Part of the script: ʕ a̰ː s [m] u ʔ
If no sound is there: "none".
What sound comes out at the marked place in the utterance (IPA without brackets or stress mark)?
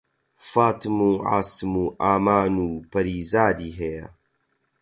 m